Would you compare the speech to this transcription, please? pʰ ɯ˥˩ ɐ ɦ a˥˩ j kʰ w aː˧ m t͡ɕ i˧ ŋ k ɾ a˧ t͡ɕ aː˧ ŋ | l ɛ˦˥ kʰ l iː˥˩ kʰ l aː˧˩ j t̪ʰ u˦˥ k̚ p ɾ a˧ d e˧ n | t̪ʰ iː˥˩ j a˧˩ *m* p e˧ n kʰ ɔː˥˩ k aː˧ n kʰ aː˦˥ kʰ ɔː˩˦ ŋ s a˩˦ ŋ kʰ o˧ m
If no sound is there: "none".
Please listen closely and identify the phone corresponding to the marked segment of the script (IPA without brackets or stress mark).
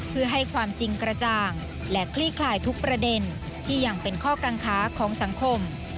ŋ